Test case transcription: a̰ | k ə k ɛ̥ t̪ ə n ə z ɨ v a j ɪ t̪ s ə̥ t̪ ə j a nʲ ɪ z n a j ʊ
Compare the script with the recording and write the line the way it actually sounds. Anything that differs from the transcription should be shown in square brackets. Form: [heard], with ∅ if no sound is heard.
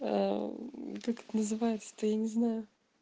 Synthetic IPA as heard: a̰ | k [a] k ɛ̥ t̪ ə n ə z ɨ v a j ɪ t̪ s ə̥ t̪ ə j a nʲ ɪ z n a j ʊ

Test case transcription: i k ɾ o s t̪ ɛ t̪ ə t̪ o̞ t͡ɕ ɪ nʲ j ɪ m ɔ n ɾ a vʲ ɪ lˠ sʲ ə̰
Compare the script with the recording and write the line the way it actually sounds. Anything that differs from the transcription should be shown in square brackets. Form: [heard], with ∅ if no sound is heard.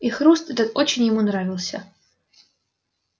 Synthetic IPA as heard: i [x] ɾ [u] s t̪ ɛ t̪ ə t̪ o̞ t͡ɕ ɪ nʲ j ɪ m [u] n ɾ a vʲ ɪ lˠ sʲ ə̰

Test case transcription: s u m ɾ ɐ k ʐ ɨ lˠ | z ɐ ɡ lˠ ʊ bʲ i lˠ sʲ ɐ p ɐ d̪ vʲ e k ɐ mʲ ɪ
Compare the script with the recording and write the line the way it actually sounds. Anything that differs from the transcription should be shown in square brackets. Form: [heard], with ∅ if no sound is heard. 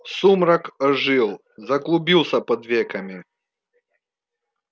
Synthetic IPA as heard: s u m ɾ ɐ k ʐ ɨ lˠ | z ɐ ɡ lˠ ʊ bʲ i lˠ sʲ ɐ p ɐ d̪ vʲ e k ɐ mʲ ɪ

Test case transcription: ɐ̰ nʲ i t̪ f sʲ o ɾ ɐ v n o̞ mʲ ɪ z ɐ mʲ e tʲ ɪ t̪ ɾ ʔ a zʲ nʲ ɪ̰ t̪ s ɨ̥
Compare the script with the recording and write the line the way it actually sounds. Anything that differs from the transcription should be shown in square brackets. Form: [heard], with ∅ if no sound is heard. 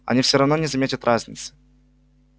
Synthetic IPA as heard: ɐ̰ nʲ i [∅] f sʲ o ɾ ɐ v n o̞ [nʲ] ɪ z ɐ mʲ e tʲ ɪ t̪ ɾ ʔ a zʲ nʲ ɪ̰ t̪ s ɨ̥

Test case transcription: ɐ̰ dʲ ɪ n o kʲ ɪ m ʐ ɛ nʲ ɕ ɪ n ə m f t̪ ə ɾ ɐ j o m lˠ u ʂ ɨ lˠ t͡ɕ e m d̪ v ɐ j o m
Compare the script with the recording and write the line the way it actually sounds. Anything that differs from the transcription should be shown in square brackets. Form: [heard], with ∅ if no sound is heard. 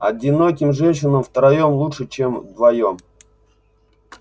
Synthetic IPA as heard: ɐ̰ dʲ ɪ n o kʲ ɪ m ʐ ɛ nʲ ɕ ɪ n ə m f t̪ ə ɾ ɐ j o m lˠ u ʂ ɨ [∅] t͡ɕ e m d̪ v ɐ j o m

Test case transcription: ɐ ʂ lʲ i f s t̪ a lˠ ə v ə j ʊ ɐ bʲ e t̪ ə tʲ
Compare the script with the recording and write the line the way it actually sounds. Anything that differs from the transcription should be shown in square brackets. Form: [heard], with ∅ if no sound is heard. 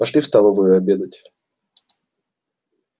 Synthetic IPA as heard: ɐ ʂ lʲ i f s t̪ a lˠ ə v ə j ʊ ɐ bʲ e [d̪] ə tʲ

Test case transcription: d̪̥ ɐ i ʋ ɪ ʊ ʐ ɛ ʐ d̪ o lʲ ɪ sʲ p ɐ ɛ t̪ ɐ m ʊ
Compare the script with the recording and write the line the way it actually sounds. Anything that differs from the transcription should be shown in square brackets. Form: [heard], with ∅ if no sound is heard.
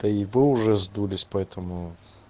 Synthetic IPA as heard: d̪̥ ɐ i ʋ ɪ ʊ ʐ ɛ [z] d̪ [u] lʲ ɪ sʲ p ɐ ɛ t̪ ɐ m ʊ

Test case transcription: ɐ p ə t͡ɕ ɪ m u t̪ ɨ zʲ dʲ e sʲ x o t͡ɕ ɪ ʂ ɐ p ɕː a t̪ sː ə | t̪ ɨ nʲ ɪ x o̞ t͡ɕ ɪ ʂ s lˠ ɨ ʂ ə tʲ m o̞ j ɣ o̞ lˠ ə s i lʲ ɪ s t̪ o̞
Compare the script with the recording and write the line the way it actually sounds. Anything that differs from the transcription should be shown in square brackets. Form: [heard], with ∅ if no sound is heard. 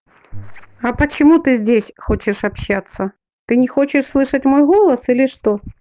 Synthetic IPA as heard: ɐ p ə t͡ɕ ɪ m u t̪ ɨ zʲ dʲ e sʲ x o t͡ɕ ɪ ʂ ɐ p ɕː a t̪ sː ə | t̪ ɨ nʲ ɪ x o̞ t͡ɕ ɪ ʂ s lˠ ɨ ʂ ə tʲ m o̞ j ɣ o̞ lˠ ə s i lʲ ɪ [ʂ] t̪ o̞

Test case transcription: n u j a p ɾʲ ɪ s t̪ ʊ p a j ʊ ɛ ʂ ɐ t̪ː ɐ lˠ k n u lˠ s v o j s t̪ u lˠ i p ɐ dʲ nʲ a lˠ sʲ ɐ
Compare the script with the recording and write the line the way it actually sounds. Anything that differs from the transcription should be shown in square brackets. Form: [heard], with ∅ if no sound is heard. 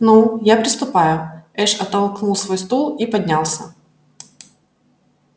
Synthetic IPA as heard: n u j a p ɾʲ ɪ s t̪ ʊ p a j ʊ ɛ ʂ ɐ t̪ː ɐ lˠ k n u lˠ s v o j s t̪ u lˠ i p ɐ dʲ nʲ a lˠ sʲ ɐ

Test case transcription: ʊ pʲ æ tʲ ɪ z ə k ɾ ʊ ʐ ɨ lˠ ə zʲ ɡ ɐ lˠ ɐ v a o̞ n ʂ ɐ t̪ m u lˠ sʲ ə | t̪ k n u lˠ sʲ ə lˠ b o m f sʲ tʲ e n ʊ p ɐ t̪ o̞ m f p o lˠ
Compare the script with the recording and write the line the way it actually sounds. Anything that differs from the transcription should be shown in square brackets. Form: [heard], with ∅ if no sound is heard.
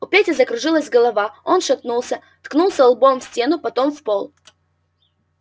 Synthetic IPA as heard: ʊ pʲ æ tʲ ɪ z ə k ɾ ʊ ʐ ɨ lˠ ə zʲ ɡ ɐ lˠ ɐ v a o̞ n ʂ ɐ t̪ [n] u lˠ sʲ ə | t̪ k n u lˠ sʲ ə lˠ b o m f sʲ tʲ e n ʊ p ɐ t̪ o̞ m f p o lˠ

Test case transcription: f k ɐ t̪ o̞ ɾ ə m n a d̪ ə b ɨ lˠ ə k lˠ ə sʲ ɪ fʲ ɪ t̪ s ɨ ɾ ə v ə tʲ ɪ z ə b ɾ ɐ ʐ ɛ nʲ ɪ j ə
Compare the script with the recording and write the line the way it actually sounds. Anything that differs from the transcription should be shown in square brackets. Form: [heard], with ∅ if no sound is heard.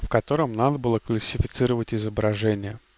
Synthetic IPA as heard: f k ɐ t̪ o̞ ɾ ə m n a d̪ ə b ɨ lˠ ə k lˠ ə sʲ ɪ fʲ ɪ t̪ s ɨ ɾ ə v ə tʲ ɪ z ə b ɾ ɐ ʐ ɛ nʲ ɪ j ə

